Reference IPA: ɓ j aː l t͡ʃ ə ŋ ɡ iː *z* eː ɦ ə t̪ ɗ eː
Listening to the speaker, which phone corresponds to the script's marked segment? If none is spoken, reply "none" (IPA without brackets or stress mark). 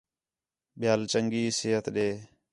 s